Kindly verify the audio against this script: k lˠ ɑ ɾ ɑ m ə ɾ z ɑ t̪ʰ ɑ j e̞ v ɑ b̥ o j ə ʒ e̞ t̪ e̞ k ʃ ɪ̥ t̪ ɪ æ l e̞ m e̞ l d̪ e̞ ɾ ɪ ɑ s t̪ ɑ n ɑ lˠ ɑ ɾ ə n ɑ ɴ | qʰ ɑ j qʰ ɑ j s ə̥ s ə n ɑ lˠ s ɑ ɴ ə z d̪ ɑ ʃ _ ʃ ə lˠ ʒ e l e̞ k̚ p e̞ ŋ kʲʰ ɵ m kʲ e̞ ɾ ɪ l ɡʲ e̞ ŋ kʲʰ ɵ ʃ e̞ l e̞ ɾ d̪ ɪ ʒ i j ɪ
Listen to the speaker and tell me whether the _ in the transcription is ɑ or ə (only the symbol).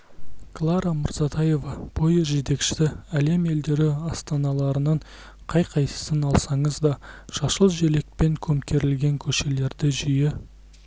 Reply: ɑ